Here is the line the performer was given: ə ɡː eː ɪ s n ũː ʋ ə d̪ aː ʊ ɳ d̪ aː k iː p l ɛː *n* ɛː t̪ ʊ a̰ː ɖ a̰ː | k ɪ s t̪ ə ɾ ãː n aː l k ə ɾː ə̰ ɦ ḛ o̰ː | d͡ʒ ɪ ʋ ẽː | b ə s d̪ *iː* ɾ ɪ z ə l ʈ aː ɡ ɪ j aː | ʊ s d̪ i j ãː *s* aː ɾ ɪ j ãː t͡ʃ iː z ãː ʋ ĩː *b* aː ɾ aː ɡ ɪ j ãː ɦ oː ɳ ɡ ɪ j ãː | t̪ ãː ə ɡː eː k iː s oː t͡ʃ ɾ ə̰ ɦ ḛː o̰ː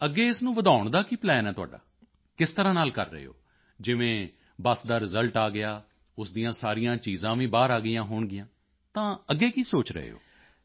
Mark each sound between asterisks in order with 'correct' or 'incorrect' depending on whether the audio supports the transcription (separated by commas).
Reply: correct, incorrect, correct, correct